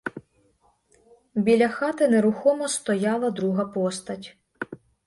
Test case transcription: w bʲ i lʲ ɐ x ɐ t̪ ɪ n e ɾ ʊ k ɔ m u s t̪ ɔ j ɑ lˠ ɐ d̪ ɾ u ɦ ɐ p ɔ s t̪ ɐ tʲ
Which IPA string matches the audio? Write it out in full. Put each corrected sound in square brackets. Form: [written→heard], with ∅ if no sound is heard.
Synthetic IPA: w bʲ i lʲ ɐ x [ɐ→ɑ] t̪ ɪ n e ɾ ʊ [k→x] ɔ m [u→ɔ] s t̪ ɔ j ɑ lˠ ɐ d̪ ɾ u ɦ ɐ p ɔ s t̪ ɐ tʲ

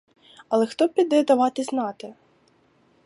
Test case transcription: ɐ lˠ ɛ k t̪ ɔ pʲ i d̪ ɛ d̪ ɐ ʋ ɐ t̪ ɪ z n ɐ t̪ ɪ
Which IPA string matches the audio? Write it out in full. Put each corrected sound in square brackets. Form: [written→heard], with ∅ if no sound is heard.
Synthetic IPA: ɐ lˠ ɛ [k→x] t̪ ɔ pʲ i d̪ ɛ d̪ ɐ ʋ [ɐ→ɑ] t̪ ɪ z n [ɐ→ɑ] t̪ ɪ

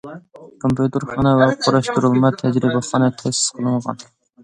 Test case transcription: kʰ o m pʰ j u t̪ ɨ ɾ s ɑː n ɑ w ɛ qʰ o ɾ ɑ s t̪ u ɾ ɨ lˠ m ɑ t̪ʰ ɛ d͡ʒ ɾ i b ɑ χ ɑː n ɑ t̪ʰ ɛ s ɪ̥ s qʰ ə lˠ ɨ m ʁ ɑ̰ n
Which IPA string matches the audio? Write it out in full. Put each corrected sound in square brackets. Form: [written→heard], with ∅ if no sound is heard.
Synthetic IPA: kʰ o m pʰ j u t̪ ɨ ɾ [s→χ] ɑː n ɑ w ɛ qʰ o ɾ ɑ [s→ʃ] t̪ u ɾ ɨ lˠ m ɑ t̪ʰ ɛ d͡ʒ ɾ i b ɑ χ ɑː n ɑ t̪ʰ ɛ s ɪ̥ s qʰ ə lˠ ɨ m ʁ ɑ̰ n

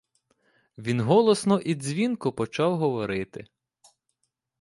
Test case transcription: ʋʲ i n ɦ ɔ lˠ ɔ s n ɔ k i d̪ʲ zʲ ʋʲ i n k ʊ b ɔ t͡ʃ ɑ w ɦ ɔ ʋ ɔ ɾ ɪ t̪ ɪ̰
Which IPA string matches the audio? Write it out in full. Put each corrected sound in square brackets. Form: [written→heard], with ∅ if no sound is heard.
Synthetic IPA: ʋʲ i n ɦ ɔ lˠ ɔ s n ɔ [k→ʔ] i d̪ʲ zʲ ʋʲ i n k ʊ [b→p] ɔ t͡ʃ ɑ w ɦ ɔ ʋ ɔ ɾ ɪ t̪ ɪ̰

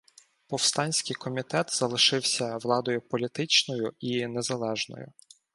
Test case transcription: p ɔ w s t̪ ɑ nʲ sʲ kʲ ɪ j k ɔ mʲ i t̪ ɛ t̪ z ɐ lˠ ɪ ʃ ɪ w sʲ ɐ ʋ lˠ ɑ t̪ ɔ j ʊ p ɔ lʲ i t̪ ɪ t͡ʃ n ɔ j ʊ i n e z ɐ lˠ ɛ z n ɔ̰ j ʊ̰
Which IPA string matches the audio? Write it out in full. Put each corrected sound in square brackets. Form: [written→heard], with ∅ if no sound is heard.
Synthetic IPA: p ɔ w s t̪ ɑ nʲ sʲ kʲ ɪ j k ɔ mʲ i t̪ ɛ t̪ z ɐ lˠ ɪ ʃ ɪ w sʲ ɐ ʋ lˠ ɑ [t̪→d̪] ɔ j ʊ p ɔ lʲ i t̪ ɪ t͡ʃ n ɔ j ʊ i n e z ɐ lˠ ɛ [z→ʒ] n ɔ̰ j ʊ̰

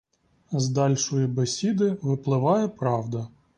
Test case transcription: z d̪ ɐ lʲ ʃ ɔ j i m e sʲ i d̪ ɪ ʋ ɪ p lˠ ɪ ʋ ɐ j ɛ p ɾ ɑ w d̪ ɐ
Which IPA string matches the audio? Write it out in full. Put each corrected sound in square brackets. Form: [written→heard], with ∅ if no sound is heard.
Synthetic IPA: z d̪ [ɐ→ɑ] lʲ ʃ ɔ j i [m→b] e sʲ i d̪ ɪ ʋ ɪ p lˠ ɪ ʋ [ɐ→ɑ] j ɛ p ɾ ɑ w d̪ ɐ

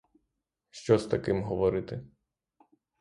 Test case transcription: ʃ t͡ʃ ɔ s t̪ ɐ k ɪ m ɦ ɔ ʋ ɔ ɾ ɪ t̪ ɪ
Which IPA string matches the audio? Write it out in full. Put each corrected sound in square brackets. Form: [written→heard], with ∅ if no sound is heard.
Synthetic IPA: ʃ t͡ʃ ɔ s t̪ ɐ k ɪ m ɦ ɔ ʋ ɔ ɾ ɪ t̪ ɪ

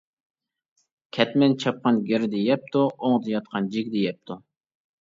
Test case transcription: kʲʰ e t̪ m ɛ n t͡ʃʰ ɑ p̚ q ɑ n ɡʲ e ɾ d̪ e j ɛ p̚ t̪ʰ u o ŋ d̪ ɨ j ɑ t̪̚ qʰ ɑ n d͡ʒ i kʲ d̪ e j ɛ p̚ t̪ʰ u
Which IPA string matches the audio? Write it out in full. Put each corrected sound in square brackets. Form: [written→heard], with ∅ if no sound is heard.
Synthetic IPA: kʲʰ [e→ɛ] t̪ m ɛ n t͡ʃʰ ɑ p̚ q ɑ n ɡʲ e ɾ d̪ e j ɛ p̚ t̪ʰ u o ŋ d̪ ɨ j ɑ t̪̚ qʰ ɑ n d͡ʒ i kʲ d̪ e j ɛ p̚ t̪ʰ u

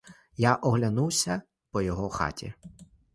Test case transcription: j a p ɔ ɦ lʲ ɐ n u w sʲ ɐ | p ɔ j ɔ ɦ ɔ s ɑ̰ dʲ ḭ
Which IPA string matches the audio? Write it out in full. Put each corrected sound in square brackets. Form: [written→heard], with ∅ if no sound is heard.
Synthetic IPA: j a [p→ʔ] ɔ ɦ lʲ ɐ n u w sʲ ɐ | p ɔ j ɔ ɦ ɔ [s→x] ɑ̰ [dʲ→tʲ] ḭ

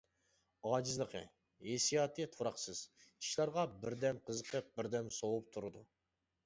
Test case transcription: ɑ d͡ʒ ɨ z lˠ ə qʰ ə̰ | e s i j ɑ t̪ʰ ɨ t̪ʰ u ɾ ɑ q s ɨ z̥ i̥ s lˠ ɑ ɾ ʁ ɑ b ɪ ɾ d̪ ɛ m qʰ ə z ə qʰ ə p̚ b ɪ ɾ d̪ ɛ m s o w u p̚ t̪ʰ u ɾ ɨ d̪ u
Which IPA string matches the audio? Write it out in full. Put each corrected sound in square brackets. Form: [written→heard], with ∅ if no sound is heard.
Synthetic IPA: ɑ d͡ʒ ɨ z lˠ ə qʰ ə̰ | e s i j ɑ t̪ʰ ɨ t̪ʰ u ɾ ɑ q s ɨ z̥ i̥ [s→ʃ] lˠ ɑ ɾ ʁ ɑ b ɪ ɾ d̪ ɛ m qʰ ə z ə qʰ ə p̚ b ɪ ɾ d̪ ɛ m s o w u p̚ t̪ʰ u ɾ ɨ d̪ u

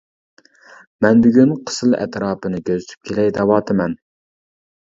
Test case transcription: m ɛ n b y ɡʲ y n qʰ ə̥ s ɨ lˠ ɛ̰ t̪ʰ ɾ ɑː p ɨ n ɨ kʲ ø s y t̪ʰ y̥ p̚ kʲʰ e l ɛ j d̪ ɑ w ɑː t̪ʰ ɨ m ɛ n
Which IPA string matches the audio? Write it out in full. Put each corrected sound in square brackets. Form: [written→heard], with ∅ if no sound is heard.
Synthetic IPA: m ɛ n b y ɡʲ y n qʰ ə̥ s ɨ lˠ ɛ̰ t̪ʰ ɾ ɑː p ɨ n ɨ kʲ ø [s→z] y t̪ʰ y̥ p̚ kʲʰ e l ɛ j d̪ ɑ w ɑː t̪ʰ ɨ m ɛ n

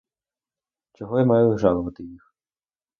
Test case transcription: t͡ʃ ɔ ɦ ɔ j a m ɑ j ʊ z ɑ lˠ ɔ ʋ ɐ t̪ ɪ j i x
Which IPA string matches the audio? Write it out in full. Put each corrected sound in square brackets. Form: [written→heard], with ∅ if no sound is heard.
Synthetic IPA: t͡ʃ ɔ ɦ ɔ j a m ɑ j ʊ [z→ʒ] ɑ lˠ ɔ ʋ ɐ t̪ ɪ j i x

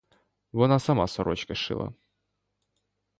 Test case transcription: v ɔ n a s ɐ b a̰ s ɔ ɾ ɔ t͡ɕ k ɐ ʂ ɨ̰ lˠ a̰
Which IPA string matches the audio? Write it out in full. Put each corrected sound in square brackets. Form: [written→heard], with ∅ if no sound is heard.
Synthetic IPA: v ɔ n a s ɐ [b→m] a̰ s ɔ ɾ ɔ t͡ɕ k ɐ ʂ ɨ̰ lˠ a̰

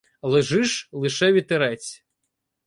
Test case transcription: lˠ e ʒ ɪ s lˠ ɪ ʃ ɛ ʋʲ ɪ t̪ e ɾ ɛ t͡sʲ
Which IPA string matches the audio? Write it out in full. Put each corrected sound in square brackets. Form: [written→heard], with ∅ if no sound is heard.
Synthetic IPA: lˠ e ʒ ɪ [s→ʃ] lˠ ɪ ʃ ɛ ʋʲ [ɪ→i] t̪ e ɾ ɛ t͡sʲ

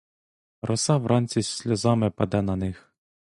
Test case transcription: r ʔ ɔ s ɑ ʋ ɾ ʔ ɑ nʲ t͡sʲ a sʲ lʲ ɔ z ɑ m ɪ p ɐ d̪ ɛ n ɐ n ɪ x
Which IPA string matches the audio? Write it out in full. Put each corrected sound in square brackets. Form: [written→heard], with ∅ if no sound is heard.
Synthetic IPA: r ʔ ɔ s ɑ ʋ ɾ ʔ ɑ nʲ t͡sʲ [a→i] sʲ lʲ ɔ z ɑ m ɪ p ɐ d̪ ɛ n ɐ n ɪ x

